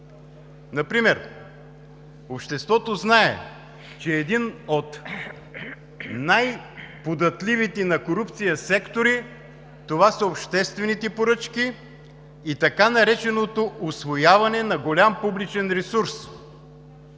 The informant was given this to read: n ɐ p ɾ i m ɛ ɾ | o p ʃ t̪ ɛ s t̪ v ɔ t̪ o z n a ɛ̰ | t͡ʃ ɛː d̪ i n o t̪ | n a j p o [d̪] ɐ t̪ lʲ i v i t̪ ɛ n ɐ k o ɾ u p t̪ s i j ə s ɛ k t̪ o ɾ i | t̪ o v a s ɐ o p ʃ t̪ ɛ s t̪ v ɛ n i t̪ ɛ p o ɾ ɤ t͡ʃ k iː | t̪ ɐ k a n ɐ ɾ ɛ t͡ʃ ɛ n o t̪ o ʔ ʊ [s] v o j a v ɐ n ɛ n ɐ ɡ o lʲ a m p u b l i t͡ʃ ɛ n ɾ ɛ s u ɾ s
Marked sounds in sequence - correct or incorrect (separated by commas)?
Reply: correct, correct